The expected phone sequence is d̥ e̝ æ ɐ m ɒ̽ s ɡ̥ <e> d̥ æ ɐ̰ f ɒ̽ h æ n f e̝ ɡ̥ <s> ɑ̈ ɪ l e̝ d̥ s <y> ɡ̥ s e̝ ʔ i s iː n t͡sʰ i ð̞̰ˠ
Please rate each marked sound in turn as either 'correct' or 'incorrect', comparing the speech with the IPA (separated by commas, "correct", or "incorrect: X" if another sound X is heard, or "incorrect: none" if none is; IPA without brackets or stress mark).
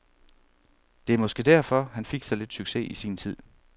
correct, correct, correct